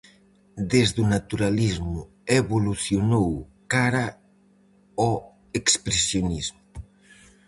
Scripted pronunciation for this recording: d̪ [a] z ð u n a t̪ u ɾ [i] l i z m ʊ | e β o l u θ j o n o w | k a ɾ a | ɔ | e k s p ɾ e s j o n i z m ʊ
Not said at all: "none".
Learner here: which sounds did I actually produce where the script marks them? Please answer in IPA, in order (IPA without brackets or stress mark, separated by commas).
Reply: e, a